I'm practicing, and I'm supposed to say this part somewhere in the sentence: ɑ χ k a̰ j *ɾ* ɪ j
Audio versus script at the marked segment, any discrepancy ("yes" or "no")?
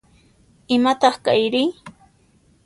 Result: no